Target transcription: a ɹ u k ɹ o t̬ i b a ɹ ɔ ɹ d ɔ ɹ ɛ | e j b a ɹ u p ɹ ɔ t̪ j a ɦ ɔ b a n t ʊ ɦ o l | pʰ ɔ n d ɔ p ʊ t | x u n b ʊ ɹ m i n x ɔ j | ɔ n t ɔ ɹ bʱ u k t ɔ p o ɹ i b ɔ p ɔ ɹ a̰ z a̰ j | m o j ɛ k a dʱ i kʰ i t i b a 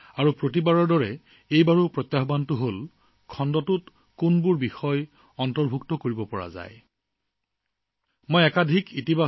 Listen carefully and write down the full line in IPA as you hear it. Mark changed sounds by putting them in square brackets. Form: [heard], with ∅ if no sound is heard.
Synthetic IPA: a ɹ u [p] ɹ o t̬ i b a ɹ ɔ ɹ d ɔ ɹ ɛ | e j b a ɹ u p ɹ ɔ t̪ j a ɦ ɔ b a n t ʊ ɦ o l | [kʰ] ɔ n d ɔ [t] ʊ t | [k] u n b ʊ ɹ [b] i [∅] x ɔ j | ɔ n t ɔ ɹ bʱ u k t ɔ [k] o ɹ i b ɔ p ɔ ɹ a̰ z a̰ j | m o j ɛ k a dʱ i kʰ i t i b a